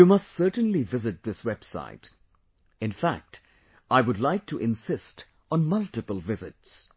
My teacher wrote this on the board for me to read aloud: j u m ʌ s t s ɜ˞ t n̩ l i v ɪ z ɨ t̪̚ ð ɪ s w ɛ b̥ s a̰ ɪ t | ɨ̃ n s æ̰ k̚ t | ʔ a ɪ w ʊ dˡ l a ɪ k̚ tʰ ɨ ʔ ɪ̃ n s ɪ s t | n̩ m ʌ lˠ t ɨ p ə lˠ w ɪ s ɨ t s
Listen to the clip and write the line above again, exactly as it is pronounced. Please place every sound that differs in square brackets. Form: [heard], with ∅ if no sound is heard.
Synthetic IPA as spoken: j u m ʌ s t s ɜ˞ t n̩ l i v ɪ z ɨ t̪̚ ð ɪ s w ɛ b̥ s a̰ ɪ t | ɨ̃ n [f] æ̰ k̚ t | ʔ a ɪ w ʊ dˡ l a ɪ k̚ tʰ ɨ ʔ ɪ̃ n s ɪ s t | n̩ m ʌ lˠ t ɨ p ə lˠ [v] ɪ [z] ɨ t s